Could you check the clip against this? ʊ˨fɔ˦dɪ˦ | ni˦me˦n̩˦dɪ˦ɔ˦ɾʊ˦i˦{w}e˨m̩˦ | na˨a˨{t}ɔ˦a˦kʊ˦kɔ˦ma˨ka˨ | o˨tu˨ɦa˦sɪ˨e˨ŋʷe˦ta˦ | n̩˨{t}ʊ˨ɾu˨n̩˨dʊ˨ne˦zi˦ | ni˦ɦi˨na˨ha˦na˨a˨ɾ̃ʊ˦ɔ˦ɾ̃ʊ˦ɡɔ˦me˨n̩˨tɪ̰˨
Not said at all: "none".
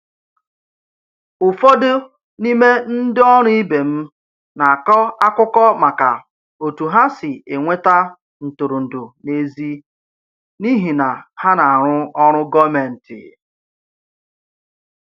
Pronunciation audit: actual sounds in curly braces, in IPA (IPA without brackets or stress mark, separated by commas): b, k, t